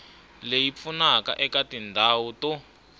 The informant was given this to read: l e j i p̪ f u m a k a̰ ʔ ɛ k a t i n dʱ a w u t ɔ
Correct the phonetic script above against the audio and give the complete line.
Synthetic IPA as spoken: l e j i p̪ f u n a k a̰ ʔ ɛ k a t i n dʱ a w u t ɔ